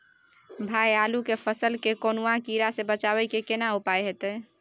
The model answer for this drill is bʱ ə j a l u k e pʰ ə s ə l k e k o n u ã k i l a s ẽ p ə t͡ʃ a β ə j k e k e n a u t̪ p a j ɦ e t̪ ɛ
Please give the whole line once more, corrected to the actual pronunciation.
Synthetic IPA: bʱ a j a l u k e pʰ ə s ə l k e k o n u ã k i ɾ a s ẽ b ə t͡ʃ a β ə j k e k e n a u p a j ɦ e t̪ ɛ